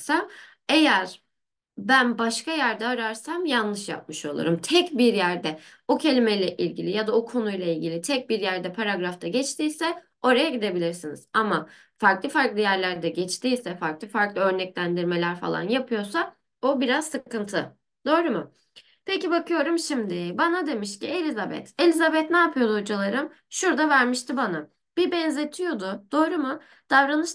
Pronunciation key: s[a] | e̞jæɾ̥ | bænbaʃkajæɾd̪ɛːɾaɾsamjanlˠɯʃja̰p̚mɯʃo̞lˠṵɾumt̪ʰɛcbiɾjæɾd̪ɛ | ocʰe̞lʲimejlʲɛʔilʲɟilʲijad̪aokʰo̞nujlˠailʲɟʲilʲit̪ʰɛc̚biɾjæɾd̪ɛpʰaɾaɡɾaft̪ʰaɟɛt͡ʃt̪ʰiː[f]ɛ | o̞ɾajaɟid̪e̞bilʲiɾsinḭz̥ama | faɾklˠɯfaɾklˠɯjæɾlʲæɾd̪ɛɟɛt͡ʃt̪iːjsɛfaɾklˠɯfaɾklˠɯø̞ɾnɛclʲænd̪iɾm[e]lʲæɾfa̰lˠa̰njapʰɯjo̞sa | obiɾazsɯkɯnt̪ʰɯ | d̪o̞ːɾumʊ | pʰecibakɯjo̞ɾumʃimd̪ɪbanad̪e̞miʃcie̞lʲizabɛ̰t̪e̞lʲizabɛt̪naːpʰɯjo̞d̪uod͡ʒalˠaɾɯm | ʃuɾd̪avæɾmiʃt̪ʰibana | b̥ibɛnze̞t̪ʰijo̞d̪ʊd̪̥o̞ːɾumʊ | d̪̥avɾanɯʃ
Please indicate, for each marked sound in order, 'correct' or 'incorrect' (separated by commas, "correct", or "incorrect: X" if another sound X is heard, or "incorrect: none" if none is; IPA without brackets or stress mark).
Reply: correct, incorrect: s, correct